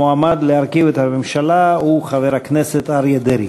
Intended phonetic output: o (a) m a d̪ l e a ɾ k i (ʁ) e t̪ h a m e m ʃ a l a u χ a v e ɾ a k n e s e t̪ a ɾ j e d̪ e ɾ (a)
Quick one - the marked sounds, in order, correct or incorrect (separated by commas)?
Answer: correct, incorrect, incorrect